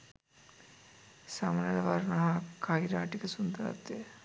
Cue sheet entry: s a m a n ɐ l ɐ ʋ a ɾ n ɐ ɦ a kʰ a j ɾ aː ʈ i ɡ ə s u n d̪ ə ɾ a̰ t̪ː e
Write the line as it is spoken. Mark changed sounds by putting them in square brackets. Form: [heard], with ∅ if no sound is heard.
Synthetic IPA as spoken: s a m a n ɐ l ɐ ʋ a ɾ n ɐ ɦ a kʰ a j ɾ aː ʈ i [k] ə s u n d̪ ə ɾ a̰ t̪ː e